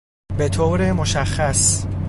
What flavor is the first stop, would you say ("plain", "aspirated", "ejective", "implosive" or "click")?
plain